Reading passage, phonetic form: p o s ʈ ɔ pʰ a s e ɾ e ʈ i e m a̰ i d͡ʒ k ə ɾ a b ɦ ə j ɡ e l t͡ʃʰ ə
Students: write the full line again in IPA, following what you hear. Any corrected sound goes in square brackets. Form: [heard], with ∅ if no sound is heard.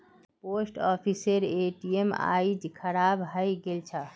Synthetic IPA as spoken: p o s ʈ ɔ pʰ [i] s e ɾ e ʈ i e m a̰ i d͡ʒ [kʰ] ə ɾ a b ɦ ə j ɡ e l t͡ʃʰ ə

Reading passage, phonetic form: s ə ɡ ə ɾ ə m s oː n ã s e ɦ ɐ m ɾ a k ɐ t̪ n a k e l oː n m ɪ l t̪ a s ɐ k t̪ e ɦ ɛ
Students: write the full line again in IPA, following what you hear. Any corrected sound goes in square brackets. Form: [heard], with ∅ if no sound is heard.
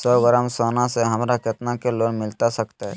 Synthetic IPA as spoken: s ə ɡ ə ɾ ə m s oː n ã s e ɦ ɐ m ɾ a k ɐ t̪ n a k e l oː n m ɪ l t̪ a s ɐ k t̪ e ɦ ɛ

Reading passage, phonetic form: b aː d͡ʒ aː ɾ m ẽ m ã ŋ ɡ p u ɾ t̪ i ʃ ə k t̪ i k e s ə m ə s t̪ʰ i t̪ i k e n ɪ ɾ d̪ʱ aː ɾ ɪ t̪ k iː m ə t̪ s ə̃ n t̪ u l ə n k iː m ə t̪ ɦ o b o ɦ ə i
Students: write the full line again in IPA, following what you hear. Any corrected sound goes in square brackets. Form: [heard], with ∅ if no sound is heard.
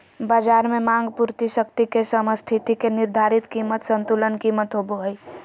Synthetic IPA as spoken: b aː d͡ʒ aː ɾ m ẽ m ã ŋ ɡ p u ɾ t̪ i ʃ ə k t̪ i k e s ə m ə s t̪ʰ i t̪ i k e n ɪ ɾ d̪ʱ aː ɾ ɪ t̪ k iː m ə t̪ s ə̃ n t̪ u l ə n k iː m ə t̪ ɦ o b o ɦ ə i

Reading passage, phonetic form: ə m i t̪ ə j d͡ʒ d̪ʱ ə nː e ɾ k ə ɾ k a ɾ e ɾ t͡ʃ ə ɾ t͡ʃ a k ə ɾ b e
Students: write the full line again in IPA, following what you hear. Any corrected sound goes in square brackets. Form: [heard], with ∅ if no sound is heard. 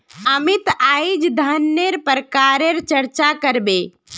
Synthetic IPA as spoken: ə m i t̪ [a] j d͡ʒ d̪ʱ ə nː e ɾ [p] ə ɾ k a ɾ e ɾ t͡ʃ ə ɾ t͡ʃ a k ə ɾ b e

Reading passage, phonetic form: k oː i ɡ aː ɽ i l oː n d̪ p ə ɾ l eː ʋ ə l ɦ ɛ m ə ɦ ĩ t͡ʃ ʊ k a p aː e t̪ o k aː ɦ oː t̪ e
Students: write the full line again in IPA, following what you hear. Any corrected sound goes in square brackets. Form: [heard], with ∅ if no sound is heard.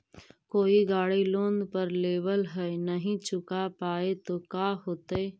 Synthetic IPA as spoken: k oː i ɡ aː ɽ i l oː n d̪ p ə ɾ l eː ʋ ə l ɦ ɛ [n] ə ɦ ĩ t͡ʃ ʊ k a p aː e t̪ o k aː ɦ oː t̪ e

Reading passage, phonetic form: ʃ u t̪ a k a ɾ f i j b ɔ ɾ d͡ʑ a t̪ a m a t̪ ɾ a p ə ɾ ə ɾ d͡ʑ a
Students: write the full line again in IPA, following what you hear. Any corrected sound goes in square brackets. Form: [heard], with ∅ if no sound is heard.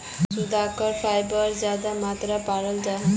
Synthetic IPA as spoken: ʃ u [d̪] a k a ɾ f [a] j b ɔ ɾ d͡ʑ a [d̪] a m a t̪ ɾ a p [a] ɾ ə [l] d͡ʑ a

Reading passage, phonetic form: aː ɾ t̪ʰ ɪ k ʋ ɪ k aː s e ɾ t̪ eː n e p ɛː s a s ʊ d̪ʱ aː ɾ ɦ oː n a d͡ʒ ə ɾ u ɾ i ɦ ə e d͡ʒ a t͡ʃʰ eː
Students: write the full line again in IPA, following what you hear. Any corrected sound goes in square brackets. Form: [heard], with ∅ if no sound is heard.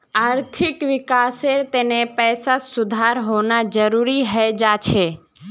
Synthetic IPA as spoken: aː ɾ t̪ʰ ɪ k ʋ ɪ k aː s e ɾ t̪ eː n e p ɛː s a s ʊ d̪ʱ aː ɾ ɦ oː n a d͡ʒ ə ɾ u ɾ i ɦ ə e d͡ʒ a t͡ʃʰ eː

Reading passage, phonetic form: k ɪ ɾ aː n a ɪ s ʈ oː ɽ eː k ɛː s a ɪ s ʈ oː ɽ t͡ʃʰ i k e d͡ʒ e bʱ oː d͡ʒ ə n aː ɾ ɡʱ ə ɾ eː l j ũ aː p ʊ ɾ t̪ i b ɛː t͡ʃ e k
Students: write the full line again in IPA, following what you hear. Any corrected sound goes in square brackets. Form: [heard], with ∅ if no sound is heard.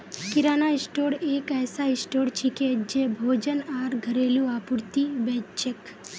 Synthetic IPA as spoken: k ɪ ɾ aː n a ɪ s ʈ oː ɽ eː k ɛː s a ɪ s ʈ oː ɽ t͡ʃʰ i k e d͡ʒ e bʱ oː d͡ʒ ə n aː ɾ ɡʱ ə ɾ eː l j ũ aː p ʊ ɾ t̪ i b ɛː t͡ʃ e k

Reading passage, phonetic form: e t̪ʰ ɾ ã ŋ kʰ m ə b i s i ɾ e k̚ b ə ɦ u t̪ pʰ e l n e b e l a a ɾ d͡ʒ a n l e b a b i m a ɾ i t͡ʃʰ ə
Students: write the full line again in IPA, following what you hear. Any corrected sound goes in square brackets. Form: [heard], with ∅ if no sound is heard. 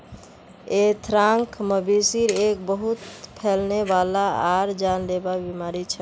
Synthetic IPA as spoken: e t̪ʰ ɾ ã ŋ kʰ m ə b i s i ɾ e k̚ b ə ɦ u t̪ pʰ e l n e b [a] l a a ɾ d͡ʒ a n l e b a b i m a ɾ i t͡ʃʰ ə

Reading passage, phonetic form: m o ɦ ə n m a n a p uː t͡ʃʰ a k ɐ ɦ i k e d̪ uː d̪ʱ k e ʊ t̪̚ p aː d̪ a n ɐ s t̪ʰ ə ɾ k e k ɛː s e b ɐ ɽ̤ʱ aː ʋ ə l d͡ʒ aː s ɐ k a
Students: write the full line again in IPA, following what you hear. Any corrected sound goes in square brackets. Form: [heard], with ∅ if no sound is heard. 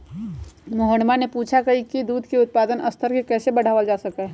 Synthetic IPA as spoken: m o ɦ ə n m a n [e] p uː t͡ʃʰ a k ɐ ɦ i k [i] d̪ uː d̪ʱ k e ʊ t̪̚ p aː d̪ [ə] n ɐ s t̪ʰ ə ɾ k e k ɛː s e b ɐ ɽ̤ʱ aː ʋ ə l d͡ʒ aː s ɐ k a

